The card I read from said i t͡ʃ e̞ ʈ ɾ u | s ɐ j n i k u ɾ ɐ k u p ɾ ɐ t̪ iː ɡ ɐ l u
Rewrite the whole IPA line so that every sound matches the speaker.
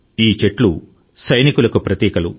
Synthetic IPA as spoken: iː t͡ʃ e̞ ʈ l u | s ɐ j n i k u l ɐ k u p ɾ ɐ t̪ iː k ɐ l u